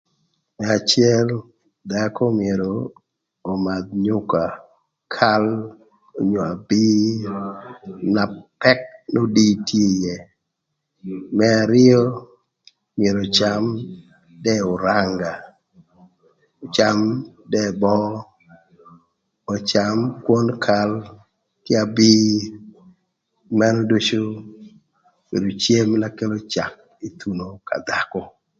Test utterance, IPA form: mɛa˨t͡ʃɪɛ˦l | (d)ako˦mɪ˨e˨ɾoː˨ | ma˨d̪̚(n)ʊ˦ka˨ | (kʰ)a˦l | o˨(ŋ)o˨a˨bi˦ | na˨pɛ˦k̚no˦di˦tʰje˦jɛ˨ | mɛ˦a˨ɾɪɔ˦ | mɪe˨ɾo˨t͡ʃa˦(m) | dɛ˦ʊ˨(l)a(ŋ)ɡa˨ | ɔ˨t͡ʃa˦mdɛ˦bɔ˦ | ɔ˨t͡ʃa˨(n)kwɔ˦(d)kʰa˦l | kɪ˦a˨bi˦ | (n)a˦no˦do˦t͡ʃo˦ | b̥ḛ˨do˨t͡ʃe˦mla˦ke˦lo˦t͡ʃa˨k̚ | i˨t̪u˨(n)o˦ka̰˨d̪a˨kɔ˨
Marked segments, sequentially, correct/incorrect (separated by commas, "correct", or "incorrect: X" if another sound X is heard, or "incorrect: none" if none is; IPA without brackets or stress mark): correct, incorrect: ɲ, correct, incorrect: ɲ, correct, incorrect: ɾ, correct, incorrect: m, incorrect: n, incorrect: m, correct